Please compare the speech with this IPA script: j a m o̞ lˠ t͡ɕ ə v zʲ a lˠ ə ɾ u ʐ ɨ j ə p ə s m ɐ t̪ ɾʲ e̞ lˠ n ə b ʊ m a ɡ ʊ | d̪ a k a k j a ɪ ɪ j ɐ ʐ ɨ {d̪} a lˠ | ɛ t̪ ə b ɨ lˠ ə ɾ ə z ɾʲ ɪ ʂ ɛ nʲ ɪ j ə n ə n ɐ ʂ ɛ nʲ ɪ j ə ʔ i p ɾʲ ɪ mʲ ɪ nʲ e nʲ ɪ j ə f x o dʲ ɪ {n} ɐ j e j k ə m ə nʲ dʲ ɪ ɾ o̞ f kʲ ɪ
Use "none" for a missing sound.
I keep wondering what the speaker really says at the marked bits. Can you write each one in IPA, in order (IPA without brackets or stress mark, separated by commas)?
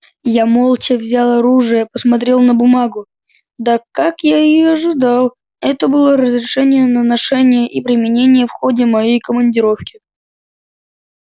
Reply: d̪, m